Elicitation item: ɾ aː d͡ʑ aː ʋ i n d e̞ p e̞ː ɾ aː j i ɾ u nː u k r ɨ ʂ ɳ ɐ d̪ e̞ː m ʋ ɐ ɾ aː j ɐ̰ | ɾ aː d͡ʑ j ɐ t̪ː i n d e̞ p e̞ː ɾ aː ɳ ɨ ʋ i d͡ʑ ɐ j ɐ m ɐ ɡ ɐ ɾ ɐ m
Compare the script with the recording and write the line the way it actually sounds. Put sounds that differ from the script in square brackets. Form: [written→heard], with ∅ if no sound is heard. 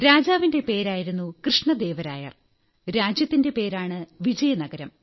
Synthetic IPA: ɾ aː d͡ʑ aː ʋ i n d e̞ p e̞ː ɾ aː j i ɾ u nː u k r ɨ ʂ ɳ ɐ d̪ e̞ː [m→∅] ʋ ɐ ɾ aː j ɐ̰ | ɾ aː d͡ʑ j ɐ t̪ː i n d e̞ p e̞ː ɾ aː ɳ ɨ ʋ i d͡ʑ ɐ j ɐ [m→n] ɐ ɡ ɐ ɾ ɐ m